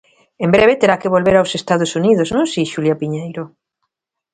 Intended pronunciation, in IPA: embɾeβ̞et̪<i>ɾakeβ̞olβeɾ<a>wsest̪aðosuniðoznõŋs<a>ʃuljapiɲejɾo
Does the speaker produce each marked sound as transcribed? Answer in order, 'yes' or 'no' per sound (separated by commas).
no, yes, no